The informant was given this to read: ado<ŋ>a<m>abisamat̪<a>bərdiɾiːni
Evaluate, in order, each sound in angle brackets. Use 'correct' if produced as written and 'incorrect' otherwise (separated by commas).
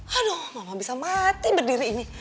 incorrect, correct, incorrect